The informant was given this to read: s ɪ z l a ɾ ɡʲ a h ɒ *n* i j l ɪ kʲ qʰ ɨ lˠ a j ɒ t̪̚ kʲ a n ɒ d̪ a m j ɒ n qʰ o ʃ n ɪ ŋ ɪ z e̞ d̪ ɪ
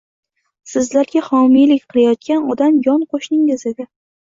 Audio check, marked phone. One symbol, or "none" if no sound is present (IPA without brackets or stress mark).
m